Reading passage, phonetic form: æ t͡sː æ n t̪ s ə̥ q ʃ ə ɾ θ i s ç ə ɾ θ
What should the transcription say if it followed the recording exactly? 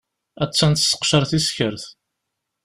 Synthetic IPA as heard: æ t͡sː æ n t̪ s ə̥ q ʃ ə ɾ θ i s ç ə ɾ θ